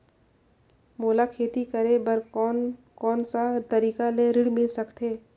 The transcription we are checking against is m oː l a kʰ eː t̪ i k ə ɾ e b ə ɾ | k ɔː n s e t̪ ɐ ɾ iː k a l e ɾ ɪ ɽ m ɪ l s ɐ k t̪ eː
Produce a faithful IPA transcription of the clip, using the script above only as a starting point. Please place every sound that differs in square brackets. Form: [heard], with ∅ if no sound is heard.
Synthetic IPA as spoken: m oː l a kʰ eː t̪ i k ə ɾ e b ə ɾ | k ɔː n s [a] t̪ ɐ ɾ iː k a l e ɾ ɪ ɽ m ɪ l s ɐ k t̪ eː